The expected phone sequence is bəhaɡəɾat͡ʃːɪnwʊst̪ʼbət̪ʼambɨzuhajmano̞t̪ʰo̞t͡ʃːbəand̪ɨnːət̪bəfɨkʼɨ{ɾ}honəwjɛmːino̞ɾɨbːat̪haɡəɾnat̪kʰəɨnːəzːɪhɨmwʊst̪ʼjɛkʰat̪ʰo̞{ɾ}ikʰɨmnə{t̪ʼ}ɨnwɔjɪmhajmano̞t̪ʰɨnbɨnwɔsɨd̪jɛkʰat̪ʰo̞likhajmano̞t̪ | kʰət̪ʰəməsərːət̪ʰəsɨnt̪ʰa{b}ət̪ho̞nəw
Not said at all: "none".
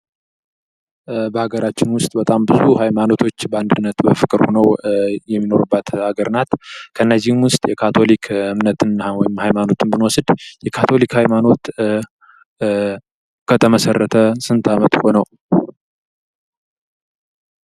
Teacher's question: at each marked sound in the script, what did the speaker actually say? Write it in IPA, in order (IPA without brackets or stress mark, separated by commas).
ɾ, l, t̪, m